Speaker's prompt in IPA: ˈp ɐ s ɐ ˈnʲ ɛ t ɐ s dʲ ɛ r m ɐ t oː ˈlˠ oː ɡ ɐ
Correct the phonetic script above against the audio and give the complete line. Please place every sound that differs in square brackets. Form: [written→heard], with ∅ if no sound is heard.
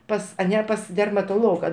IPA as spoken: ˈp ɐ s ɐ ˈnʲ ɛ [t→p] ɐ s dʲ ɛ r m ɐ t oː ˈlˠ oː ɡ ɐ